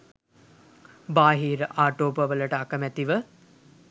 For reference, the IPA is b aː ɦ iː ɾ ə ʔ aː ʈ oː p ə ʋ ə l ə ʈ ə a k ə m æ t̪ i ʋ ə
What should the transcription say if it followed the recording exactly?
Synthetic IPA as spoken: b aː ɦ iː ɾ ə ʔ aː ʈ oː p ə ʋ ə l ə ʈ ə a k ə m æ t̪ i ʋ ə